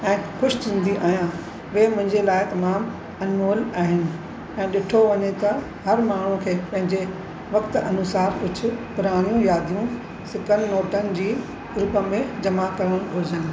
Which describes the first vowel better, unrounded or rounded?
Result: unrounded